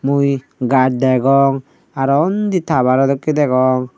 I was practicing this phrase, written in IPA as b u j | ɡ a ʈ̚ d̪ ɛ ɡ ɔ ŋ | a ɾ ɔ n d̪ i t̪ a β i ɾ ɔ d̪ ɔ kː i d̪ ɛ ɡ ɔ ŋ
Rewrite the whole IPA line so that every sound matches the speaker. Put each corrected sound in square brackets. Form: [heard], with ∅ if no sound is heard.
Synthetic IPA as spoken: [m] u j | ɡ a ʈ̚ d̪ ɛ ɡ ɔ ŋ | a ɾ ɔ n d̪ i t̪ a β [a] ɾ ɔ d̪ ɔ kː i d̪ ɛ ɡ ɔ ŋ